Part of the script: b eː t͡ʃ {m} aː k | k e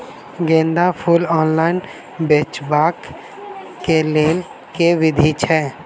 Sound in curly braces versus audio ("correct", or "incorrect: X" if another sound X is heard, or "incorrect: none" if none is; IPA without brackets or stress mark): incorrect: b